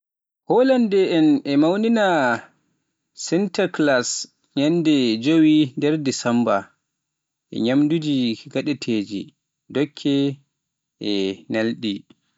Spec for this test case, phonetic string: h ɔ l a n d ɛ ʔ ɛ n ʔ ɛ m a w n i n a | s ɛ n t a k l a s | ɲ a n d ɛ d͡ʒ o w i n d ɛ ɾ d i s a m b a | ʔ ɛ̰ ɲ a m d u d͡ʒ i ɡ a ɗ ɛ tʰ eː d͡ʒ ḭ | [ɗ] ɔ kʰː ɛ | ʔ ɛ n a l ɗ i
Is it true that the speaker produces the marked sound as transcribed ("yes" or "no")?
no